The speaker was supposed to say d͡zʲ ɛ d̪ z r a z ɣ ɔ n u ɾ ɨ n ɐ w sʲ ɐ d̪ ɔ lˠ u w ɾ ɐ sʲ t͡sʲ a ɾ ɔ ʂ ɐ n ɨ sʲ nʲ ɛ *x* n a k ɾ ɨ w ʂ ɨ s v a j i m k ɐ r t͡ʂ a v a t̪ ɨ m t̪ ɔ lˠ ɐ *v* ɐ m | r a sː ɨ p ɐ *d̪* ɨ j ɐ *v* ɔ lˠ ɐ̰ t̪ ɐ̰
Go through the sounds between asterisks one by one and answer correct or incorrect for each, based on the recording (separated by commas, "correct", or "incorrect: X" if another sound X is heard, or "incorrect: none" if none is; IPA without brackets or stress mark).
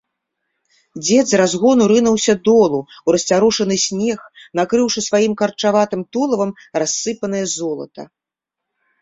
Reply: correct, correct, incorrect: n̪, incorrect: z